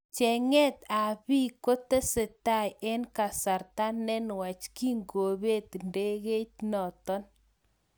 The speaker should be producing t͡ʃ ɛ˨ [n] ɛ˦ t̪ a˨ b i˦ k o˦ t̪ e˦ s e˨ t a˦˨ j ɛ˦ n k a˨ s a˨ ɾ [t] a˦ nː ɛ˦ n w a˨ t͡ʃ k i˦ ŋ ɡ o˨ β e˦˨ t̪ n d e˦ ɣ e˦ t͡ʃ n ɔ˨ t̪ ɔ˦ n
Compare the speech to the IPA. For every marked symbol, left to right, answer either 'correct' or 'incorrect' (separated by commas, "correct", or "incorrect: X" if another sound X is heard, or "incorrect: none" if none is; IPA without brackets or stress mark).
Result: incorrect: ŋ, correct